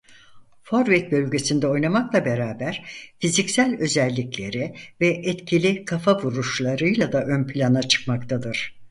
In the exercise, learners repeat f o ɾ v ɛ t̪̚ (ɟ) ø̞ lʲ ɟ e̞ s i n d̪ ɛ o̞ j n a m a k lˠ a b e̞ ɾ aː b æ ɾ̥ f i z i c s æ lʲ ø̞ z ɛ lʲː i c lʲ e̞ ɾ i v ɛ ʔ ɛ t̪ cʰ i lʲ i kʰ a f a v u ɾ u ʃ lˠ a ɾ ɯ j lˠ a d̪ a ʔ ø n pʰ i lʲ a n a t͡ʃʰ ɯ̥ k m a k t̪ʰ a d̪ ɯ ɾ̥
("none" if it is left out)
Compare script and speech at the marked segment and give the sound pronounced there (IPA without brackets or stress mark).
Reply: b